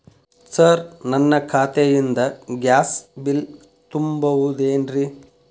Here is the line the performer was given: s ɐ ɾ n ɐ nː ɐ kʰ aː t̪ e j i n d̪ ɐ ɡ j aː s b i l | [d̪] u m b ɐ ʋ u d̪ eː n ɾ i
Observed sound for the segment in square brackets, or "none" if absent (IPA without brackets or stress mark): t̪